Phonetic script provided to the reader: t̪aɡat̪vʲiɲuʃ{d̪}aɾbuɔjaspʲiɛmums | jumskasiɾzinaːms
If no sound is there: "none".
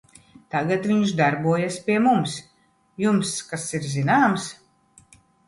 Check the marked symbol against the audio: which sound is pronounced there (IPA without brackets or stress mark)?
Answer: d̪